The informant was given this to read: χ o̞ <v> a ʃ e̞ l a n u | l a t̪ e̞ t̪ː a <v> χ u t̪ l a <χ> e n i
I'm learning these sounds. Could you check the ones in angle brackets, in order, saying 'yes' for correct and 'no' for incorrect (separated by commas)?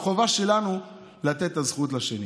yes, no, no